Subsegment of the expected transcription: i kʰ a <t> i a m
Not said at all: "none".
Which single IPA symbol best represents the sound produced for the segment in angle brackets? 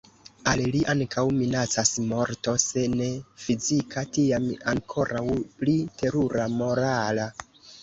t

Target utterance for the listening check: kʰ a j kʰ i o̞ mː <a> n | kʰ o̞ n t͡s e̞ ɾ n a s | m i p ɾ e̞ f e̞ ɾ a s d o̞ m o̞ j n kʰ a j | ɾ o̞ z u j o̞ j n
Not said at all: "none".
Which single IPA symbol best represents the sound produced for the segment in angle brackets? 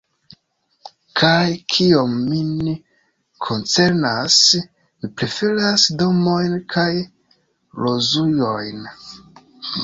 i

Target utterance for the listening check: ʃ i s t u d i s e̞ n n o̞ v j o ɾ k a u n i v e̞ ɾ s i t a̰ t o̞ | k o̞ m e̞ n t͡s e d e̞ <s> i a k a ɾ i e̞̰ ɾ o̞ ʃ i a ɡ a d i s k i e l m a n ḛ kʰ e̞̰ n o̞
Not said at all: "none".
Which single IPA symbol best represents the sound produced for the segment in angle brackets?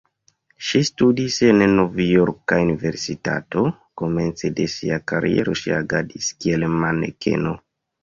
s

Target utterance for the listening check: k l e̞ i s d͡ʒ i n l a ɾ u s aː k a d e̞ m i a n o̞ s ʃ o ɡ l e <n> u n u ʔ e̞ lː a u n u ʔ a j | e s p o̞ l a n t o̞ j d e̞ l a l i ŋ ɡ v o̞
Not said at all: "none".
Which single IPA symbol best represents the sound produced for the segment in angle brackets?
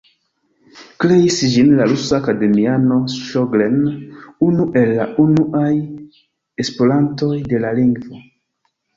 n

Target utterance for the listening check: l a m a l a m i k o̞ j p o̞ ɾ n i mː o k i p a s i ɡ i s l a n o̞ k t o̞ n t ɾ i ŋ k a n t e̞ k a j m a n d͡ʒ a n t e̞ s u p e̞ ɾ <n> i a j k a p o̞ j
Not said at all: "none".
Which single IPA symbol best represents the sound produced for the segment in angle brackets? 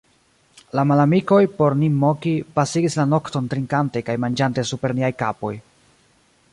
n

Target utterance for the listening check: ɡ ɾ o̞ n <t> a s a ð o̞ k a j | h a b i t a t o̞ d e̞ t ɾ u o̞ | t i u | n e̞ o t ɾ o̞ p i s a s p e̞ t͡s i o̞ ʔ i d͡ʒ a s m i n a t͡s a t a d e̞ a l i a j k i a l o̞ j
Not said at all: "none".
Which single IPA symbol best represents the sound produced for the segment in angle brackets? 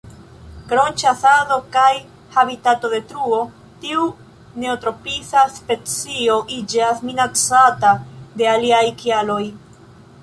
t͡ʃ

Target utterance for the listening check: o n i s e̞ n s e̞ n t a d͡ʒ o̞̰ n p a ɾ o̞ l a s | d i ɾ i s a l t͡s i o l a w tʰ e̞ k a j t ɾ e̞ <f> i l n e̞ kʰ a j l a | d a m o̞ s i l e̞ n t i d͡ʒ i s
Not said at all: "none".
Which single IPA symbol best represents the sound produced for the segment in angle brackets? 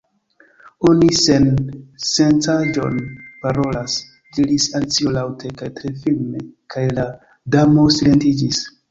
f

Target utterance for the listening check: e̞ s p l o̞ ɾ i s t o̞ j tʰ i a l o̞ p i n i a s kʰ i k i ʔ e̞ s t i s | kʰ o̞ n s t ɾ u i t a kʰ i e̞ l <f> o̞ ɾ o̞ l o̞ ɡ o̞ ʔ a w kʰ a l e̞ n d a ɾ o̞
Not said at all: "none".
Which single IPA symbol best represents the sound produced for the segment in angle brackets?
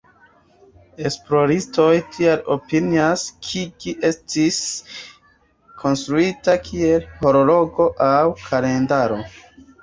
h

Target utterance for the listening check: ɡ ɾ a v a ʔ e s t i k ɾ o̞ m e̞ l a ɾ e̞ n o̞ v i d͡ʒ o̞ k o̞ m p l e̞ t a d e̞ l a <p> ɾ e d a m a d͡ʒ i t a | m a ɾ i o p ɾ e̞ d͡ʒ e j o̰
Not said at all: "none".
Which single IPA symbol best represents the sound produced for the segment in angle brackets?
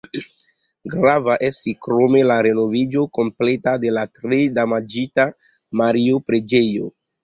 t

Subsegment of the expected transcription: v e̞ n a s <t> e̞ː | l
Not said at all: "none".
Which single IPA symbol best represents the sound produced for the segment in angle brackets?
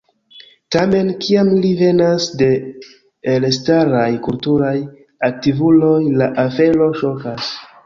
d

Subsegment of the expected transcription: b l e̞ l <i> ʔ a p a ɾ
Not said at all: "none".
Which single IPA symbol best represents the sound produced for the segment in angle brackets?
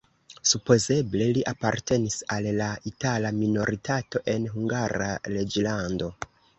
i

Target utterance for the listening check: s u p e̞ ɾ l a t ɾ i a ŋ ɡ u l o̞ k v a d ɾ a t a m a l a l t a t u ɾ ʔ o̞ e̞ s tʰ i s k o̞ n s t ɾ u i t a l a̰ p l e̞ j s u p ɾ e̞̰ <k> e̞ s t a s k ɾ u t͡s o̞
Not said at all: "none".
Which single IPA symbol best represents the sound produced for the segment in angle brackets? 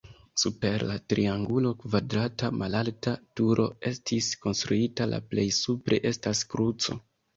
ʔ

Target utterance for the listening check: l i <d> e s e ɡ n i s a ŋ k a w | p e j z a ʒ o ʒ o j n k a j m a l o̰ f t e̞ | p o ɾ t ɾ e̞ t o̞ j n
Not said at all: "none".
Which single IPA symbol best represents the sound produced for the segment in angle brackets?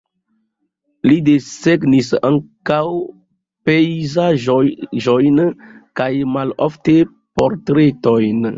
d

